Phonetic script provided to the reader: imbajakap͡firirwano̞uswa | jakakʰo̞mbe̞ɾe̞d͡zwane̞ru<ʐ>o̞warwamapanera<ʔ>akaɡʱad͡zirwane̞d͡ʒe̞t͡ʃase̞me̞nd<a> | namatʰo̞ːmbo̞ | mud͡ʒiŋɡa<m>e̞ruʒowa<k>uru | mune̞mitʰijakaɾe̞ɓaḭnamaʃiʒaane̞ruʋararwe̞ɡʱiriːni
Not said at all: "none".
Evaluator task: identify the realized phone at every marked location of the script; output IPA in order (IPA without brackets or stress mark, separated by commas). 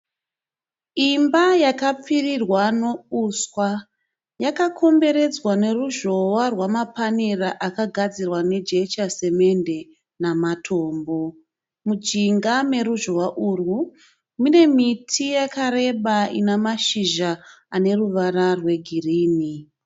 ʒ, ʔ, e, m, ʔ